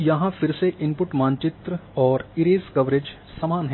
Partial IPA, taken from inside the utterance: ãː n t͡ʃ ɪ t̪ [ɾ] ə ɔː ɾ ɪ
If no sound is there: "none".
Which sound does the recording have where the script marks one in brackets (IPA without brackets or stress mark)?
ɾ